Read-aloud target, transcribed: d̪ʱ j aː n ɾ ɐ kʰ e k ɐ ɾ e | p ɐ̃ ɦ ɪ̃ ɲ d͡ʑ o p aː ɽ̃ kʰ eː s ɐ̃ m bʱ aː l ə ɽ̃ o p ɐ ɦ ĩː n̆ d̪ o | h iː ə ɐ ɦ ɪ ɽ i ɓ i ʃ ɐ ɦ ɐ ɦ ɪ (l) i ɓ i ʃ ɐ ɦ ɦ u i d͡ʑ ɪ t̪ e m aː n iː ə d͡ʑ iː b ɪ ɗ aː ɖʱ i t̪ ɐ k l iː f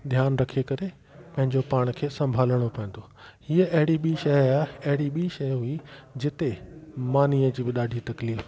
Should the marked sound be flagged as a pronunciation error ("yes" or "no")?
yes